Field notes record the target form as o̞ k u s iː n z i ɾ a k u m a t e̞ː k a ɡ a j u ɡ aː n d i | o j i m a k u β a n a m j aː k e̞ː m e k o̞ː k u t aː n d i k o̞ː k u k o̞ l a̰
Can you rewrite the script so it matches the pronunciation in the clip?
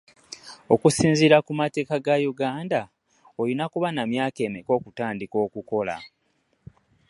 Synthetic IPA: o̞ k u s iː n z i ɾ a k u m a t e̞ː k a ɡ a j u ɡ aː n d a | o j i n a k u β a n a m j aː k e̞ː m e k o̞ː k u t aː n d i k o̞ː k u k o̞ l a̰